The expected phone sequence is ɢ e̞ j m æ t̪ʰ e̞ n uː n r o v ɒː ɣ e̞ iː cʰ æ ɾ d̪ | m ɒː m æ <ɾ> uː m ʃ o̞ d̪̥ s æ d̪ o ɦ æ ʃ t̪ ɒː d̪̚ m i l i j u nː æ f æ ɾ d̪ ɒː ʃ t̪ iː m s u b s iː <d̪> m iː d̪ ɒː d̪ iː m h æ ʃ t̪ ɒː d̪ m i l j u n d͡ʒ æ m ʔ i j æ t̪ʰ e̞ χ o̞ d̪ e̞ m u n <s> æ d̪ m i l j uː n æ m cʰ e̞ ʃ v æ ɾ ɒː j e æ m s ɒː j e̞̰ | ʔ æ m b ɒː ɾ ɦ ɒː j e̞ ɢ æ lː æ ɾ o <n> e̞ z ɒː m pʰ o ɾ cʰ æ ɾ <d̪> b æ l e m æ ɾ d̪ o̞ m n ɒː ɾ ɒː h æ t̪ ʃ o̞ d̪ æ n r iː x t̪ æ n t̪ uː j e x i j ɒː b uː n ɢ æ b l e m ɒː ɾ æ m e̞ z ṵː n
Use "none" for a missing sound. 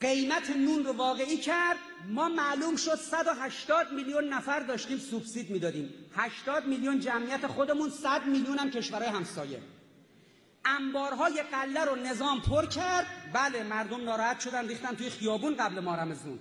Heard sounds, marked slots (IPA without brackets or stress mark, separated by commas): l, d̪, s, n, d̪